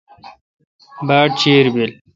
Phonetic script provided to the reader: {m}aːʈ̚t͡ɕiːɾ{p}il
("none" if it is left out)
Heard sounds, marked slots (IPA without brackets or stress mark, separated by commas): b, b